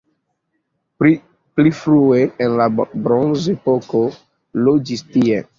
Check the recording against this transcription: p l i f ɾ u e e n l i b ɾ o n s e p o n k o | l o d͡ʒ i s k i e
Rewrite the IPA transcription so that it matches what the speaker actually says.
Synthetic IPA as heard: p l i f ɾ u e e n l a b ɾ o n z e p o k o | l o d͡ʒ i s t i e